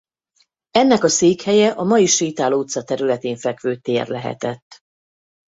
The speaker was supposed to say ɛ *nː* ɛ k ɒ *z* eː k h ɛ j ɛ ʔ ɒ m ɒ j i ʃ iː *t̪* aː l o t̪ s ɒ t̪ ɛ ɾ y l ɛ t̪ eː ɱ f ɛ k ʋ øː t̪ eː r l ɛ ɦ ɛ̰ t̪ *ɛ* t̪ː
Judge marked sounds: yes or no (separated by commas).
yes, no, yes, yes